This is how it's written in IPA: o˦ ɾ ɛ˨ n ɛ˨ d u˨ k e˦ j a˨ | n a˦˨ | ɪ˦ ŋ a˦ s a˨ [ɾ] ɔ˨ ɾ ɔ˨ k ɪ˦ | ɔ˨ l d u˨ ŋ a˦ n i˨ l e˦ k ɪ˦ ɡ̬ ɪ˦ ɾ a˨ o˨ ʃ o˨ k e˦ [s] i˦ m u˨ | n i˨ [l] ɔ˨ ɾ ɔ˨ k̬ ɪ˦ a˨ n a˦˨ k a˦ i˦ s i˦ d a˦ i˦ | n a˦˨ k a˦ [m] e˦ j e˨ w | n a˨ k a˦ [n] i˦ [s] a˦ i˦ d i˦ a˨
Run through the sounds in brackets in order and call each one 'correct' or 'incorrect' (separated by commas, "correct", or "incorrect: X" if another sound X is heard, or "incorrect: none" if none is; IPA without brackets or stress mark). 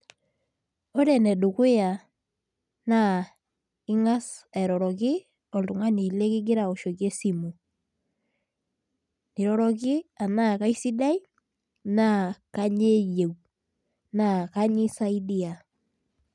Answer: correct, correct, incorrect: ɾ, incorrect: ɲ, incorrect: ɲ, correct